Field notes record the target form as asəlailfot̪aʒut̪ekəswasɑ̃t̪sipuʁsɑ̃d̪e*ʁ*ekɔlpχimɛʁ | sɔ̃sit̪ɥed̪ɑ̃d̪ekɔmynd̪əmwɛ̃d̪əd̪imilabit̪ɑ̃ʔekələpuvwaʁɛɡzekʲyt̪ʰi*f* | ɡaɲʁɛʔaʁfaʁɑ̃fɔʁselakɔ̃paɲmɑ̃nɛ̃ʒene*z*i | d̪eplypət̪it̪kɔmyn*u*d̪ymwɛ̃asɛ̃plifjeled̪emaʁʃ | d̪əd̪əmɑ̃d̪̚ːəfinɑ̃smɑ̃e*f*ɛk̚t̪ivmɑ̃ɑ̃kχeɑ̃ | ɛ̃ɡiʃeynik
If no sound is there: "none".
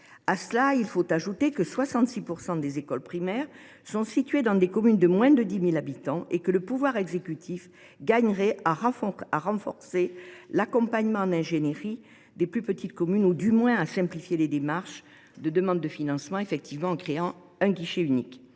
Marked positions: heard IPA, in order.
z, f, ʁ, u, f

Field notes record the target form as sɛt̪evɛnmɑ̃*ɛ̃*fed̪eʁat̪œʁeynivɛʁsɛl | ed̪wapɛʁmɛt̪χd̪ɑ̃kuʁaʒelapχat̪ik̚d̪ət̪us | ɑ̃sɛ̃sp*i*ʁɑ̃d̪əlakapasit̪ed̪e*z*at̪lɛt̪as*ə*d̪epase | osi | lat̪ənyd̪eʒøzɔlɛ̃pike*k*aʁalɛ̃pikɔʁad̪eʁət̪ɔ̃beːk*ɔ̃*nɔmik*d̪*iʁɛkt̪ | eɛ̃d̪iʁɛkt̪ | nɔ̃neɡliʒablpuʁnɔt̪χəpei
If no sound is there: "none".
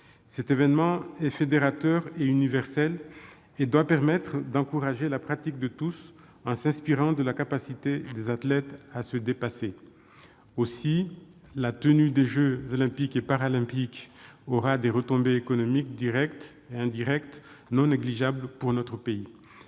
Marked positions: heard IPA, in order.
ɛ, i, z, ə, p, ɔ, d̪

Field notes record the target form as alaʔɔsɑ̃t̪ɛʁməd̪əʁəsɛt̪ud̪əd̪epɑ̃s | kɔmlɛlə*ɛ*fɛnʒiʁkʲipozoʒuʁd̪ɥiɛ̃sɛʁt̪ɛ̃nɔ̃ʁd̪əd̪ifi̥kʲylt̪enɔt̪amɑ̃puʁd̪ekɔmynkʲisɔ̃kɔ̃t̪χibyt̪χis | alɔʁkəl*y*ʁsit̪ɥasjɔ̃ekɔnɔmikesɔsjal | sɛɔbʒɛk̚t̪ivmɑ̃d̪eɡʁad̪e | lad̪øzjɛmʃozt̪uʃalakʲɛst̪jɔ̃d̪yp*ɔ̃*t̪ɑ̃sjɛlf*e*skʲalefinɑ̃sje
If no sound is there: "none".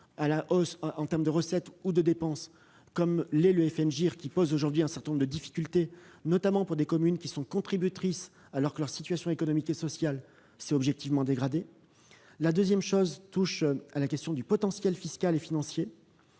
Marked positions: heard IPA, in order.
ɛ, œ, ɔ, i

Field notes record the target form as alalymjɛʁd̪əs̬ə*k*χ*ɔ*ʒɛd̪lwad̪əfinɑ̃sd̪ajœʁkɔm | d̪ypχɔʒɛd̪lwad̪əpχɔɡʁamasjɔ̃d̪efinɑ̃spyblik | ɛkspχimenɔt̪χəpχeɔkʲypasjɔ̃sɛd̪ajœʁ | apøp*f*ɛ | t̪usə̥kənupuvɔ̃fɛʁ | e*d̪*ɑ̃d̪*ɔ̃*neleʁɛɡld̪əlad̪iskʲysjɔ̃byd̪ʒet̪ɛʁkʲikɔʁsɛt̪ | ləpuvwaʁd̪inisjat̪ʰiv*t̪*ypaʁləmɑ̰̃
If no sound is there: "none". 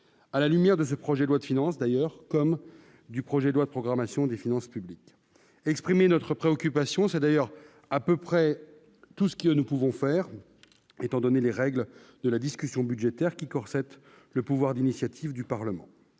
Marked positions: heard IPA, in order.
p, ɔ, χ, t̪, ɔ, d̪

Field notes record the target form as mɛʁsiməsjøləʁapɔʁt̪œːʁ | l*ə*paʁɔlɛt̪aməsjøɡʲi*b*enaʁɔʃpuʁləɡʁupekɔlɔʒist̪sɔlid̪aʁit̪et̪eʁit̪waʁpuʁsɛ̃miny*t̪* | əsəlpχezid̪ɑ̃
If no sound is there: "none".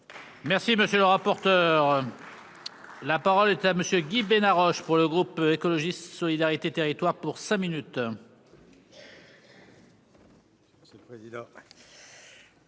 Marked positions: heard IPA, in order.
a, b, t̪

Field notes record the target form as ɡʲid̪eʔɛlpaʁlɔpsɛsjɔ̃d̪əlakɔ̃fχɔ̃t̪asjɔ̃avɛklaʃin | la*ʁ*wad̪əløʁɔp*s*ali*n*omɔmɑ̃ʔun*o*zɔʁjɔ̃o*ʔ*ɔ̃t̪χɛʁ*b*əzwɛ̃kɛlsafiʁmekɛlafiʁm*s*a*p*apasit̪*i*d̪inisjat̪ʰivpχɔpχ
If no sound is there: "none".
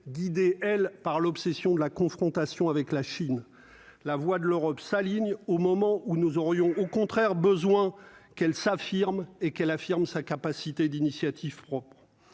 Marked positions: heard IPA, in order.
v, s, ɲ, u, k, b, s, k, e

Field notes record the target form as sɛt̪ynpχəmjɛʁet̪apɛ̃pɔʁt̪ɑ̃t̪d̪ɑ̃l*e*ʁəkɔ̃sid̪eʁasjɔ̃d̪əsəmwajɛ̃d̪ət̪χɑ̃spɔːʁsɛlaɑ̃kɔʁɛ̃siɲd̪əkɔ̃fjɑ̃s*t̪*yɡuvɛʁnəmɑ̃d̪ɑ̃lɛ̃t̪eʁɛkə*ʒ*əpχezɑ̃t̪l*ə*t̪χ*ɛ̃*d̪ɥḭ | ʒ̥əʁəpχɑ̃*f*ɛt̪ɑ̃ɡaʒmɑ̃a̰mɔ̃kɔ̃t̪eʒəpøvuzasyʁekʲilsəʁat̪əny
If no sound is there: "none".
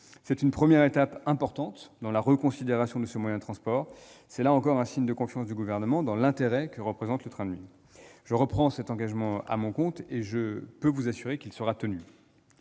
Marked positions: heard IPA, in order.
a, d̪, ʁ, ə, ɛ̃, s

